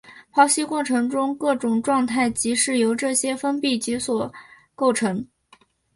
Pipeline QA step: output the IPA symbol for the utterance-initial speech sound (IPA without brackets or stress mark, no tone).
pʰ